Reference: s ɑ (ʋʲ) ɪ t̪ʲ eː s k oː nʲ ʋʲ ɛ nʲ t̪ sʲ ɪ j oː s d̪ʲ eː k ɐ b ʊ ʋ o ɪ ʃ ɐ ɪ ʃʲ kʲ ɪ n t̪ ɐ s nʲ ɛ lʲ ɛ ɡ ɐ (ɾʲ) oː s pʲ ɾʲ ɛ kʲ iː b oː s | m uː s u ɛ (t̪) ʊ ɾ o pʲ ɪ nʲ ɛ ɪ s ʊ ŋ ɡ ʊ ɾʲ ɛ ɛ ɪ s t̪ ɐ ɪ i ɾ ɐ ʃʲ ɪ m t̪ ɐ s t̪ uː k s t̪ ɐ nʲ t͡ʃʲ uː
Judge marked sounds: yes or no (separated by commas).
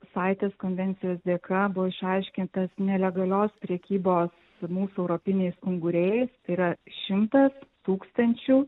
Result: no, no, no